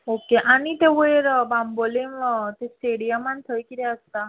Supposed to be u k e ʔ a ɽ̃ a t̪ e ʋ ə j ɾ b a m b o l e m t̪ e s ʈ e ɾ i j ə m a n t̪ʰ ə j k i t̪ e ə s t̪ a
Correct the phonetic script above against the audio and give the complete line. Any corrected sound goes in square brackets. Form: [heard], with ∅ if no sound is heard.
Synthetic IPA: [o] k e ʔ a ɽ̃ [i] t̪ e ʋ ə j ɾ b a m b o l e m t̪ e s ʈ e [ɽ] i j ə m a n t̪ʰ ə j k i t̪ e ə s t̪ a